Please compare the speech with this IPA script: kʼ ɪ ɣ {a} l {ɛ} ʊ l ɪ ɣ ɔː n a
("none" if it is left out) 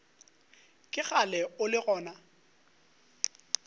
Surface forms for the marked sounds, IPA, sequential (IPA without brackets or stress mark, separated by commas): a, ɛ